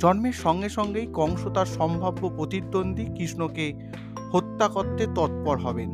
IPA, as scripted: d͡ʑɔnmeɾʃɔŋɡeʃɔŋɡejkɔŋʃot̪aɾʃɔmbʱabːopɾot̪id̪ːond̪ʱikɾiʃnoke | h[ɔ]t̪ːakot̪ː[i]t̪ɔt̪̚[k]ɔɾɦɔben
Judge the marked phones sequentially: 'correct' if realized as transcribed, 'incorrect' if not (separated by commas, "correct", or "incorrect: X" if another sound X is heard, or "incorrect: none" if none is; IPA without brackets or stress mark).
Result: incorrect: o, incorrect: e, incorrect: p